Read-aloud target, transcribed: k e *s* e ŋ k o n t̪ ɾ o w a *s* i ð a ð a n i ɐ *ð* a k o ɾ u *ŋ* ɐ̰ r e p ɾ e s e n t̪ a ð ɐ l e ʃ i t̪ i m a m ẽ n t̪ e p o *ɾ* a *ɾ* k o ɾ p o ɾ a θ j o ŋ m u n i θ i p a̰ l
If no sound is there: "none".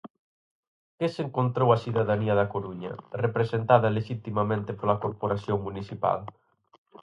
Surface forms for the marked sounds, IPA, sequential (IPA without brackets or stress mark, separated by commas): s, s, ð, ɲ, l, none